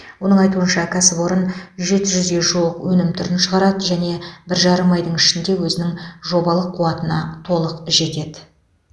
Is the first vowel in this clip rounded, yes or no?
yes